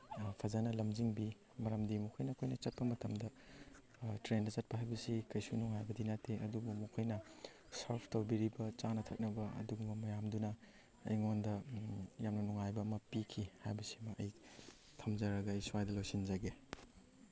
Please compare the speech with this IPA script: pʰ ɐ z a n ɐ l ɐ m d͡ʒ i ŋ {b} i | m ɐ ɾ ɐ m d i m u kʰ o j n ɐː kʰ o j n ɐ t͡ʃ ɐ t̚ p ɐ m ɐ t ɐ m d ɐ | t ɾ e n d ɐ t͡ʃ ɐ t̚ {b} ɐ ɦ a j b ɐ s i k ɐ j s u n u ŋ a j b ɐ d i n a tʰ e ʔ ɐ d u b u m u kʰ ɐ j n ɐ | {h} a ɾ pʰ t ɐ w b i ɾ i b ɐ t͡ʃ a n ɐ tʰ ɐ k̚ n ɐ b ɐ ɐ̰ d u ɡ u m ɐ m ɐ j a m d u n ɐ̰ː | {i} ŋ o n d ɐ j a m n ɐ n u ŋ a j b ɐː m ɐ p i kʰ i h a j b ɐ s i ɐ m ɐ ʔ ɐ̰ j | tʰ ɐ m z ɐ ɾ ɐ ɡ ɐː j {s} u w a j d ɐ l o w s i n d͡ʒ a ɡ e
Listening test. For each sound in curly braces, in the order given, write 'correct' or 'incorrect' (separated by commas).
correct, incorrect, incorrect, incorrect, correct